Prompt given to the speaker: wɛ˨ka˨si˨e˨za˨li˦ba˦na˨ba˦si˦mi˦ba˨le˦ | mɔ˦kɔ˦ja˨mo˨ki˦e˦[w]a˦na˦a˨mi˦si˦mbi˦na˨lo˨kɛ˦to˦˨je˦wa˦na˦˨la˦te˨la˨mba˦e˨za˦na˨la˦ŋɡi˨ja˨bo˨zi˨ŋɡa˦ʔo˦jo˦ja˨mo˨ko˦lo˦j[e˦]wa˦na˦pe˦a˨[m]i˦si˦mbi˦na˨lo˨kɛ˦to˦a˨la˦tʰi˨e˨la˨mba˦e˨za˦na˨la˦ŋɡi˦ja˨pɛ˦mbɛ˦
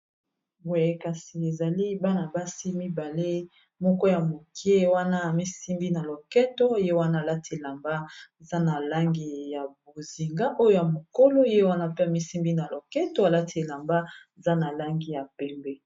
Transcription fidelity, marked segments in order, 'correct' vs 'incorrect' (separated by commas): correct, correct, correct